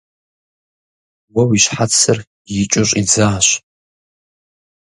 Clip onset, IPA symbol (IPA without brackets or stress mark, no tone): w